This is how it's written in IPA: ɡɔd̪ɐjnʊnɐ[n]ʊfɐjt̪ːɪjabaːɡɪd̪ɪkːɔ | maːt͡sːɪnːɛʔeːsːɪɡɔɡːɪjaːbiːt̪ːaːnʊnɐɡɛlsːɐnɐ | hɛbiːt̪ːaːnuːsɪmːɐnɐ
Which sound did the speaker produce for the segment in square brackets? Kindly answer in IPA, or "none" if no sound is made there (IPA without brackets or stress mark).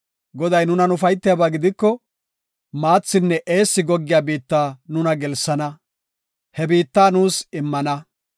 n